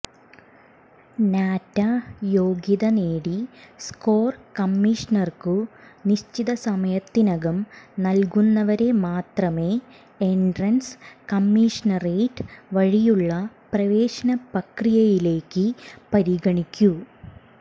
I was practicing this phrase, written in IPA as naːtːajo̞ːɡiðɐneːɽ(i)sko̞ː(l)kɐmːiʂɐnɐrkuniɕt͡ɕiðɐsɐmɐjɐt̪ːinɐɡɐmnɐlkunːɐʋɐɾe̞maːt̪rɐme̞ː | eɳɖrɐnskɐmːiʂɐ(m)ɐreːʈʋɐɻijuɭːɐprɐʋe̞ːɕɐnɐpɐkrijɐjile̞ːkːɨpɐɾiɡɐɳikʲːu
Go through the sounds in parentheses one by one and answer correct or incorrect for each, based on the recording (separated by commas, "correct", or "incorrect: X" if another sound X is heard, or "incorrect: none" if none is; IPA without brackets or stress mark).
correct, incorrect: r, incorrect: n